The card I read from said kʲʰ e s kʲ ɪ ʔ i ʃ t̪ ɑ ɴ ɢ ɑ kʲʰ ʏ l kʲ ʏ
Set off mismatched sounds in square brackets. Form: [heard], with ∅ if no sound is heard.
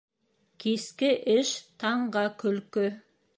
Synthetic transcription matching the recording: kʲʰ e s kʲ ɪ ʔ [ɪ] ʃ [t̪ʰ] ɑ ɴ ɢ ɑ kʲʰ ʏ l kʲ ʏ